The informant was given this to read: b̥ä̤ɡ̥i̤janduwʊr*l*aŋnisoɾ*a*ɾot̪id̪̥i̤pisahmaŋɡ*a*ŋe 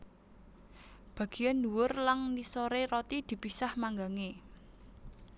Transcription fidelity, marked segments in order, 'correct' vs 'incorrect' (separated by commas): correct, incorrect, correct